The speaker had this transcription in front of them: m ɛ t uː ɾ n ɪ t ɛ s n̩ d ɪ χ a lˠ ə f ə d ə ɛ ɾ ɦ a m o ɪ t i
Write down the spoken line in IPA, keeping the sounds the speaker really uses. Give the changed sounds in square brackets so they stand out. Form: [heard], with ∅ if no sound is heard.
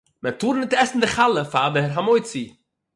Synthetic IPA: m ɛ t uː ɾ n ɪ t ɛ s n̩ d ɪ χ a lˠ ə f [a] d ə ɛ ɾ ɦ a m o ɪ [t͡s] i